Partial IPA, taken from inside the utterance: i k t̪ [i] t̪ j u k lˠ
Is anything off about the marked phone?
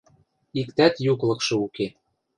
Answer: yes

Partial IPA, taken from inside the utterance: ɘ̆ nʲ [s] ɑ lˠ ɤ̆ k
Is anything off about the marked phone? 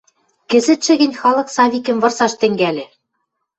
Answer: yes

